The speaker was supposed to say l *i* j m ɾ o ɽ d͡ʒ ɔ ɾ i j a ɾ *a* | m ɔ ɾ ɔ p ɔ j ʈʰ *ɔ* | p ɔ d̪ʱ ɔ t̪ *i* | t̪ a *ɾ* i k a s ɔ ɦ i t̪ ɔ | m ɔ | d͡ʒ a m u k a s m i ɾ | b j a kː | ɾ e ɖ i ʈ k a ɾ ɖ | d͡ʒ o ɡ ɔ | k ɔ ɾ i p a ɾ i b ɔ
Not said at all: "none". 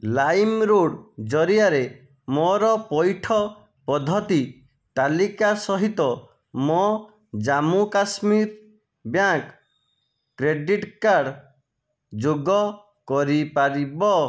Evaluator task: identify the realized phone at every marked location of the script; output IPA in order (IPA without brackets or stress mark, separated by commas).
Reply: a, e, ɔ, i, l